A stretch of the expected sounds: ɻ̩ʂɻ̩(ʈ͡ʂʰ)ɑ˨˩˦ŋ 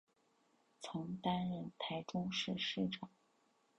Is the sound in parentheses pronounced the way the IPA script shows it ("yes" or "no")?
no